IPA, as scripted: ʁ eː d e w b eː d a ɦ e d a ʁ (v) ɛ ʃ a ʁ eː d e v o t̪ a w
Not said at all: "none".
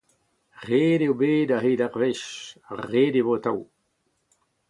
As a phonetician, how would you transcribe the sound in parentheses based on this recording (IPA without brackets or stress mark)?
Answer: v